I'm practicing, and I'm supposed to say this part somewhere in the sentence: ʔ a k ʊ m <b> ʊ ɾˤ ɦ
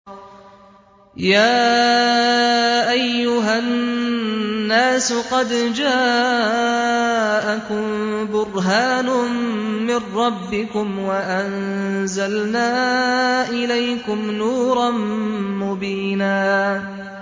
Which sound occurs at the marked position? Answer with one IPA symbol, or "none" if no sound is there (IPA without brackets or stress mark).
b